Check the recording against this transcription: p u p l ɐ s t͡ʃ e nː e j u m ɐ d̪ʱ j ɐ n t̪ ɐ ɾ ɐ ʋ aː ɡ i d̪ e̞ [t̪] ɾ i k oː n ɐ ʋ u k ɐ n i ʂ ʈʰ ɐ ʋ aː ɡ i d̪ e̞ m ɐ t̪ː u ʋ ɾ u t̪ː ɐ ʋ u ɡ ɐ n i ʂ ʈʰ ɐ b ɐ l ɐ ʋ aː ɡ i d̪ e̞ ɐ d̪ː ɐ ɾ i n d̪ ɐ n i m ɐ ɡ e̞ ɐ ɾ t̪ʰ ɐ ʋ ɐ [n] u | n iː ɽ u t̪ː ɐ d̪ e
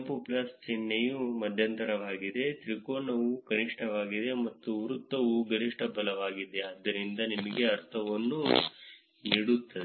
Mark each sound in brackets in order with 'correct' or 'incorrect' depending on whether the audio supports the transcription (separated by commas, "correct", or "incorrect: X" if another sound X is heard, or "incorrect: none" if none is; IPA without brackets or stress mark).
correct, incorrect: nː